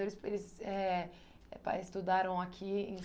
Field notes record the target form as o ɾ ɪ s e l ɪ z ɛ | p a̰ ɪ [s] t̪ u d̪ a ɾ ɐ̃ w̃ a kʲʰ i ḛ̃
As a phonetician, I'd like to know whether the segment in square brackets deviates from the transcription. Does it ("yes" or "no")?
no